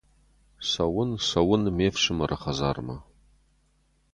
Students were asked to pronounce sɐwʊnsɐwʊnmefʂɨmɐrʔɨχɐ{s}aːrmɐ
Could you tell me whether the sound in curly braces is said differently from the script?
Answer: yes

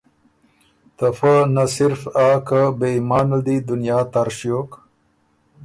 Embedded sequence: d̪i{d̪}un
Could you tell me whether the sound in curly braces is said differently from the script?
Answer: no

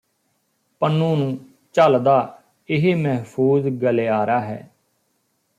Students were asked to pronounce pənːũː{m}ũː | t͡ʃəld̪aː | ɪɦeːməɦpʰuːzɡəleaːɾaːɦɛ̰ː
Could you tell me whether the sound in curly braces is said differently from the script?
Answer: yes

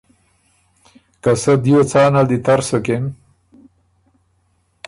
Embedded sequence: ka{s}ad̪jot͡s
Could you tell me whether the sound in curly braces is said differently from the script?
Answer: no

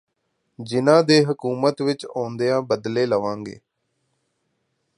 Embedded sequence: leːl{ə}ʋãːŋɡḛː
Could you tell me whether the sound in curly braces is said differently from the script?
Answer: no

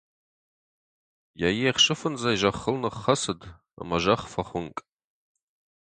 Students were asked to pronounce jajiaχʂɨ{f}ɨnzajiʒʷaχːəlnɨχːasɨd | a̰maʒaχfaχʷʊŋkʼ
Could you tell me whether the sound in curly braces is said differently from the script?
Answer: no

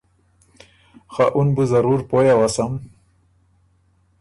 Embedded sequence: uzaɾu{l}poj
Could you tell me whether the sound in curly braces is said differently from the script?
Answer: yes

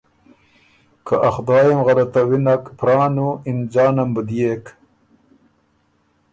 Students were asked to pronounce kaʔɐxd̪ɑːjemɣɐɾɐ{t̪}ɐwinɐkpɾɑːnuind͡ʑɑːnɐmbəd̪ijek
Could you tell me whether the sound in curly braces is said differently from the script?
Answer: no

